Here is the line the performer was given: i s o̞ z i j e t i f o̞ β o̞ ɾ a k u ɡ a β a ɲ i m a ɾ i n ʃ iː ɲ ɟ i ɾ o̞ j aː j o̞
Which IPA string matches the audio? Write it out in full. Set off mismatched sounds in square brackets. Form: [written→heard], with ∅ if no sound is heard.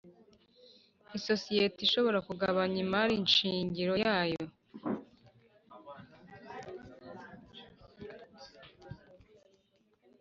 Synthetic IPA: i s o̞ [z→s] i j e t i [f→ʃ] o̞ β o̞ ɾ a k u ɡ a β a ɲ i m a ɾ i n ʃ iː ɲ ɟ i ɾ o̞ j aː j o̞

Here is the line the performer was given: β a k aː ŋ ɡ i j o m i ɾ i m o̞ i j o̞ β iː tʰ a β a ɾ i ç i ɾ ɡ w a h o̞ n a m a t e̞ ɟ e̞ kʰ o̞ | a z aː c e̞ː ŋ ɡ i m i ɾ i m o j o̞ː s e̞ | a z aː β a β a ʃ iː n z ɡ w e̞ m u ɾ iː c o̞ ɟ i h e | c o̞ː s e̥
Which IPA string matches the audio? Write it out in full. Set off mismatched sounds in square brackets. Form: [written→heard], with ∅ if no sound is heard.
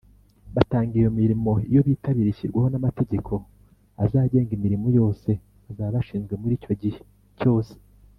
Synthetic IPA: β a [k→t] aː ŋ ɡ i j o m i ɾ i m o̞ i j o̞ β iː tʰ a β [a→i] ɾ i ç i ɾ ɡ w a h o̞ n a m a t e̞ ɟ e̞ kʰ o̞ | a z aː [c→ɟ] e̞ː ŋ ɡ i m i ɾ i m o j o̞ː s e̞ | a z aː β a β a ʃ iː n z ɡ w e̞ m u ɾ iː c o̞ ɟ i h e | c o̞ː s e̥

